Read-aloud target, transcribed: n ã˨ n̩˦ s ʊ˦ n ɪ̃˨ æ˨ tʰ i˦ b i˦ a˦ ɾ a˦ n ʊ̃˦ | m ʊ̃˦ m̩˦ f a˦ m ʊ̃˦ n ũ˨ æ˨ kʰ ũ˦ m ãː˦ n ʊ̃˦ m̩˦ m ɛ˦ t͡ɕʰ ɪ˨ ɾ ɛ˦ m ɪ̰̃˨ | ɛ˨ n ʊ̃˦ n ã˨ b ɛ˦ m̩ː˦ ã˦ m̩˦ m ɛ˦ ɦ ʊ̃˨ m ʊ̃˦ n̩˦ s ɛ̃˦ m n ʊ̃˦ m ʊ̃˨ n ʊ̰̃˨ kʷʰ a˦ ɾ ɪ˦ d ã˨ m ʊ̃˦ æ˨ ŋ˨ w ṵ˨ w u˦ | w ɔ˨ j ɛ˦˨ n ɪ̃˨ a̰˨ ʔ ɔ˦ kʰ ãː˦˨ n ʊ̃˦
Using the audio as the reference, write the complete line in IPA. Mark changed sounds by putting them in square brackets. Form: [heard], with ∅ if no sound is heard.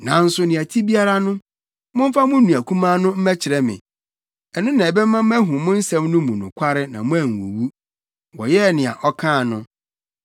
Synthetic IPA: n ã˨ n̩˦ s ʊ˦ n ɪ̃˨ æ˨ tʰ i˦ b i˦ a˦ ɾ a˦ n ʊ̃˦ | m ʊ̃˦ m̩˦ f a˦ m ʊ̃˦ n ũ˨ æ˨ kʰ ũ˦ m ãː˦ n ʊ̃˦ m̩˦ m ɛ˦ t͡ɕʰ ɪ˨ ɾ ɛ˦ m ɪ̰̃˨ | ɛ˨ n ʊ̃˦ n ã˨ b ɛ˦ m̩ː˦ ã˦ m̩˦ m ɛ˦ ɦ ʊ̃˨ m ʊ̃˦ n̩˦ s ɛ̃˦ m n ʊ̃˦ m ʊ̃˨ n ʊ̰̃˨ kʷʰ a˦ ɾ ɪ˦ [n] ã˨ m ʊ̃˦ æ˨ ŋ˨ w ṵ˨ w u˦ | w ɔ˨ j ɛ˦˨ n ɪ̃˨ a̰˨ ʔ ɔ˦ kʰ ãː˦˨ n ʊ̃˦